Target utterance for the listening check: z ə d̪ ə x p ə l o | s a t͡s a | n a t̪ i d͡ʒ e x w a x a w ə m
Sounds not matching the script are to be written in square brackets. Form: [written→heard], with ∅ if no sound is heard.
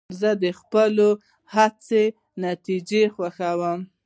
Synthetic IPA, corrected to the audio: z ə d̪ ə x p ə l o | [s→h] a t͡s [a→e] | n a t̪ i d͡ʒ e x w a x a w ə m